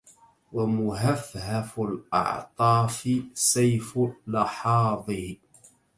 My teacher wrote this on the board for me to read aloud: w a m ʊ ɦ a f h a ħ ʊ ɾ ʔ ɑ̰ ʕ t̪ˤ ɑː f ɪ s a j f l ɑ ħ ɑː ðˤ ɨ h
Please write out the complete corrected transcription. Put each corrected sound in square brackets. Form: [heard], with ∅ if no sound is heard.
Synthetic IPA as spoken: w a m ʊ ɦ a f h a [f] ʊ [l] ʔ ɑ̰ ʕ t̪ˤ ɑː f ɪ s a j f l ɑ ħ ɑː ðˤ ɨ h